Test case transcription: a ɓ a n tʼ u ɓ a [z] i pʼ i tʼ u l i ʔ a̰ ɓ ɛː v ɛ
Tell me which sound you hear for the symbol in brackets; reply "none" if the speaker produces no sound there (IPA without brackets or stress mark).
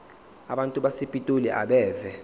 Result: s